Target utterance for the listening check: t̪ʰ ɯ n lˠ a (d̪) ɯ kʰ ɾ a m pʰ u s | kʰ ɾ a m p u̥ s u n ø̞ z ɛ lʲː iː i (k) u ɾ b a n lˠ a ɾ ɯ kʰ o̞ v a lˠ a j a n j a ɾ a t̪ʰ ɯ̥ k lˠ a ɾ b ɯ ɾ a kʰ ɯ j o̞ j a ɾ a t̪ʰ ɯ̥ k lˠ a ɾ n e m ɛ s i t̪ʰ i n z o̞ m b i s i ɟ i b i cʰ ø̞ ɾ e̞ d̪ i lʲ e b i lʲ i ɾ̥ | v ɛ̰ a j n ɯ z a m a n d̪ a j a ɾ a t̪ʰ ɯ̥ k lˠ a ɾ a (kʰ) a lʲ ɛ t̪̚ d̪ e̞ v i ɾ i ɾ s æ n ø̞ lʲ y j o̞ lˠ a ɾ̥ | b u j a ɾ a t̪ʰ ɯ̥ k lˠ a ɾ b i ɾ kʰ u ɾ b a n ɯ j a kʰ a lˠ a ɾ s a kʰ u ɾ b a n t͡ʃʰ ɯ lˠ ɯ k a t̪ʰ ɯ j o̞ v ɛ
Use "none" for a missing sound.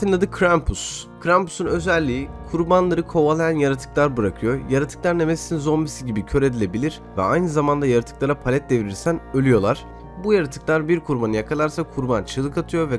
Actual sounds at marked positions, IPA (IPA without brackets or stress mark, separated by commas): d̪, kʰ, pʰ